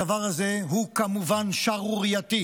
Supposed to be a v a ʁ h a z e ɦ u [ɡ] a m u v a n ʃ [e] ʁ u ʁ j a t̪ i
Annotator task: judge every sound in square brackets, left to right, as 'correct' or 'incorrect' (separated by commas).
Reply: incorrect, incorrect